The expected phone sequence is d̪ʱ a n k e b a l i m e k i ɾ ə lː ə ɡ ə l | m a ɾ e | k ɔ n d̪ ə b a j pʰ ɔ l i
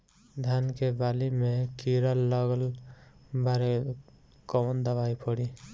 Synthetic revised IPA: d̪ʱ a n k e b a l i m e k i ɾ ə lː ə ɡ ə l | b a ɾ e | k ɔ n d̪ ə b a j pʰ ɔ ɽ i